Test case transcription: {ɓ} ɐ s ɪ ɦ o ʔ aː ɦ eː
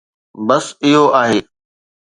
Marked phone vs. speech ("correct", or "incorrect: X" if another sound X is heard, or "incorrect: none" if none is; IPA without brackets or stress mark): incorrect: b